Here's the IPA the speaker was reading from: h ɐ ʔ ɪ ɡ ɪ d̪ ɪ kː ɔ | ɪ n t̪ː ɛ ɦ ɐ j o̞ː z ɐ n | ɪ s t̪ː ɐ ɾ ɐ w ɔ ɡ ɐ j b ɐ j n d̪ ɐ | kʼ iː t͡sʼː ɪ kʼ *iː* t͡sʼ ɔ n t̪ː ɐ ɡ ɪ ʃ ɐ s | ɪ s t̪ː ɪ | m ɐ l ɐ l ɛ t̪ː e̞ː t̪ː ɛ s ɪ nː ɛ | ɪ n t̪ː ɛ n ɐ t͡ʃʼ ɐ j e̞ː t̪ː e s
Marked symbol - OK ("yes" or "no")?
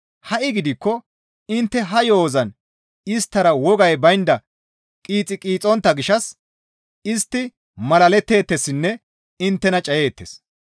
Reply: yes